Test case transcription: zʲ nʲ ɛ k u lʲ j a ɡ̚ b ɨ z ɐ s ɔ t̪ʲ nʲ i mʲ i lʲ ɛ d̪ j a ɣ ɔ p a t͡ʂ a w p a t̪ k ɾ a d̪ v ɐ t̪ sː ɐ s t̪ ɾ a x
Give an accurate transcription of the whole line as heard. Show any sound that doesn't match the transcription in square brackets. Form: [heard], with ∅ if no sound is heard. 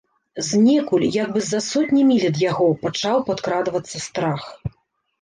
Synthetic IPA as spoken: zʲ nʲ ɛ k u lʲ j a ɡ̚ b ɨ z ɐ s ɔ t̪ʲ nʲ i mʲ i lʲ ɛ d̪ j a ɣ ɔ p a t͡ʂ a w p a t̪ k ɾ a d̪ v ɐ t̪ sː ɐ s t̪ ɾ a x

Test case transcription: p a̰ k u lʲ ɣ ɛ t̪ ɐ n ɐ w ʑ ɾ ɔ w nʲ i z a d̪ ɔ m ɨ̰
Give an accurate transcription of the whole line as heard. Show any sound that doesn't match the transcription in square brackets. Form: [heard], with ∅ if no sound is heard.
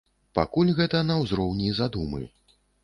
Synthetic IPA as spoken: p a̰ k u lʲ ɣ ɛ t̪ ɐ n ɐ w [z] ɾ ɔ w nʲ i z a d̪ [u] m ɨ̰

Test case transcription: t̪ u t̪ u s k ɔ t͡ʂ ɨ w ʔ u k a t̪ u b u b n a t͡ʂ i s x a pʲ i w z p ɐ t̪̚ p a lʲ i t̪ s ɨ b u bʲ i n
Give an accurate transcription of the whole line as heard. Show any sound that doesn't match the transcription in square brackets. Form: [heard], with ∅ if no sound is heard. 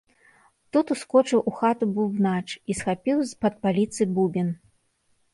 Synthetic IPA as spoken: t̪ u t̪ u s k ɔ t͡ʂ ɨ w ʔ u [x] a t̪ u b u b n a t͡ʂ i s x a pʲ i w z p ɐ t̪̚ p a lʲ i t̪ s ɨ b u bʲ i n

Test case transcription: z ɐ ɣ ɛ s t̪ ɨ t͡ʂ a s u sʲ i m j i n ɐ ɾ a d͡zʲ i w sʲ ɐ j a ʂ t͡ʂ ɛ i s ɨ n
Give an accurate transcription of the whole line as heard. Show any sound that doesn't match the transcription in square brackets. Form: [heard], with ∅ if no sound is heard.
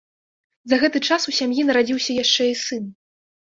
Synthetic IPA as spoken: z ɐ ɣ ɛ [∅] t̪ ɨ t͡ʂ a s u sʲ [a] m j i n ɐ ɾ a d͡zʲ i w sʲ ɐ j a ʂ t͡ʂ ɛ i s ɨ n

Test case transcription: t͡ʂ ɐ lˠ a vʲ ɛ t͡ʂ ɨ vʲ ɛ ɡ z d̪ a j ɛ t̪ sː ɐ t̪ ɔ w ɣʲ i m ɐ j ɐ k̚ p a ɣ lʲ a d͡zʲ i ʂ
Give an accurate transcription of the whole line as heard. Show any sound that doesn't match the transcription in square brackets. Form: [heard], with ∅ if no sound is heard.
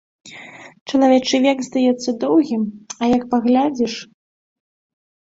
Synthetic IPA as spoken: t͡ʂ ɐ lˠ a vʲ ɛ t͡ʂ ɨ vʲ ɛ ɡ z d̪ a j ɛ t̪ sː ɐ [d̪] ɔ w ɣʲ i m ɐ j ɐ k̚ p a ɣ lʲ a d͡zʲ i ʂ

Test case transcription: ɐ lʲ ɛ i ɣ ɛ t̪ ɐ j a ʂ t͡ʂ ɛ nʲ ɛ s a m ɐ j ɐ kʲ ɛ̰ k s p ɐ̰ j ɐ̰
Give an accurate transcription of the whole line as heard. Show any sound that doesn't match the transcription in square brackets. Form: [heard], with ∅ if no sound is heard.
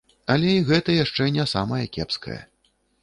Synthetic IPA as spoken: ɐ lʲ ɛ i ɣ ɛ t̪ ɐ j a ʂ t͡ʂ ɛ nʲ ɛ s a m ɐ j ɐ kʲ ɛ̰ [p] s [k] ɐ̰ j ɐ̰

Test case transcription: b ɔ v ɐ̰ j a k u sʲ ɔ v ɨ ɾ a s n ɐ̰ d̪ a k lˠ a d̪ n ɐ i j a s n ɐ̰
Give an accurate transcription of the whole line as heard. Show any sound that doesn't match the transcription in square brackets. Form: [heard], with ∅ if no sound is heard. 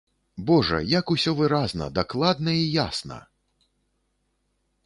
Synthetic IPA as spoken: b ɔ [ʐ] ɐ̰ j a k u sʲ ɔ v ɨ ɾ a [z] n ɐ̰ d̪ a k lˠ a d̪ n ɐ i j a s n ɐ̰

